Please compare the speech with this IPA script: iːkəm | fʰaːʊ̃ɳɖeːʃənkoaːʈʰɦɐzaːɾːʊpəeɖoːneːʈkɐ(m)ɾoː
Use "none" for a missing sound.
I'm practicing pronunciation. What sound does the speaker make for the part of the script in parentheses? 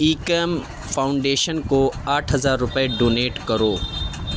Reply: none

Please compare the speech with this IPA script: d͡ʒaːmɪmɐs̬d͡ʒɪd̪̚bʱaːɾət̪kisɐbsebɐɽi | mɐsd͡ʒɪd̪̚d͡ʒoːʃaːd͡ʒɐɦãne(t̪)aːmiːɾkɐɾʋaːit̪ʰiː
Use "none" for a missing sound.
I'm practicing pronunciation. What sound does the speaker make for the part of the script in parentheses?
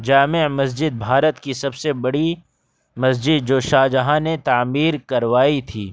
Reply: t̪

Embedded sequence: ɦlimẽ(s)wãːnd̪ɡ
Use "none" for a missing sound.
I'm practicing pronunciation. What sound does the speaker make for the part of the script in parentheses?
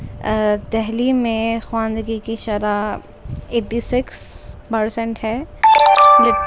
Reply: x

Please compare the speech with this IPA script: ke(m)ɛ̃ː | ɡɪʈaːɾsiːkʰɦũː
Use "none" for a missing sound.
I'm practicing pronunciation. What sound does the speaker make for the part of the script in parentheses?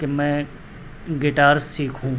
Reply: m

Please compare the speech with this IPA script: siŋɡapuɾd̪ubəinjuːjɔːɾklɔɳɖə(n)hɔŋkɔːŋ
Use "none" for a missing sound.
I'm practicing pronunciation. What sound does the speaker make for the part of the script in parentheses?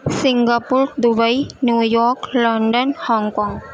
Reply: n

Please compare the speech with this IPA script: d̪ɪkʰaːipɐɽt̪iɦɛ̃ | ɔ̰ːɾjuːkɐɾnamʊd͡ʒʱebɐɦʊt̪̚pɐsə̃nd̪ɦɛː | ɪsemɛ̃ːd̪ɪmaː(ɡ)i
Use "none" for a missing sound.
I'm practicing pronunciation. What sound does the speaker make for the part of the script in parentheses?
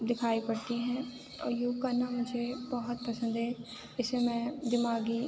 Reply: ɡ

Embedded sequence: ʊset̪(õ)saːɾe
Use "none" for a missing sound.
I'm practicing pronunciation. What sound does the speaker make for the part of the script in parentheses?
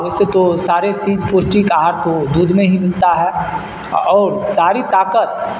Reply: o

